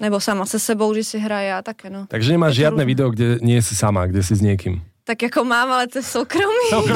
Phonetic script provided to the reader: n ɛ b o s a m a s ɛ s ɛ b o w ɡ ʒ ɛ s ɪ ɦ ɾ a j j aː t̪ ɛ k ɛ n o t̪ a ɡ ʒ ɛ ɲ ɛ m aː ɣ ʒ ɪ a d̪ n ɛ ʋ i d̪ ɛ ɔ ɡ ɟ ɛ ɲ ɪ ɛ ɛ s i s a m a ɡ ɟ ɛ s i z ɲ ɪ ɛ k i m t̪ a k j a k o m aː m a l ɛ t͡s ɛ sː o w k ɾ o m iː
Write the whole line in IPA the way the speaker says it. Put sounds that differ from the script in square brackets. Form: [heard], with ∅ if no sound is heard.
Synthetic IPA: n ɛ b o s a m a s ɛ s ɛ b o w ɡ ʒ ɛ s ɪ ɦ ɾ a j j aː t̪ [a] k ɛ n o t̪ a ɡ ʒ ɛ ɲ ɛ m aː [ʒ] ʒ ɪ a d̪ n ɛ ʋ i d̪ ɛ ɔ ɡ ɟ ɛ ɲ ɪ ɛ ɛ s i s a m a ɡ ɟ ɛ s i z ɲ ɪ ɛ k i m t̪ a k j a k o m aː m a l ɛ t͡s ɛ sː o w k ɾ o m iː